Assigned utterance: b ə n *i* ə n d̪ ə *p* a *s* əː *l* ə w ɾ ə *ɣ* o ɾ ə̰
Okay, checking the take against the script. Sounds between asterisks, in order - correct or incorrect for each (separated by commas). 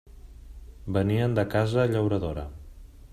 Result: correct, incorrect, incorrect, incorrect, incorrect